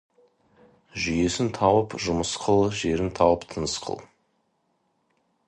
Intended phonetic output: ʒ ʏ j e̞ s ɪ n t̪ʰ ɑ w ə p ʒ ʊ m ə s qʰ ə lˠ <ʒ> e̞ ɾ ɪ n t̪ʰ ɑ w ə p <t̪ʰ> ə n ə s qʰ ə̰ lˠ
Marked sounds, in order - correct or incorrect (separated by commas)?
correct, correct